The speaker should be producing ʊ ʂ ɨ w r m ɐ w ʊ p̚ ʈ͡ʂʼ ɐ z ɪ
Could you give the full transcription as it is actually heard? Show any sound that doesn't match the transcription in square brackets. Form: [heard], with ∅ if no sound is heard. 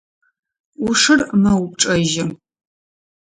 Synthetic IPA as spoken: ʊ ʂ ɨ [∅] r m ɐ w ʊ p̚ ʈ͡ʂʼ ɐ [ʒ] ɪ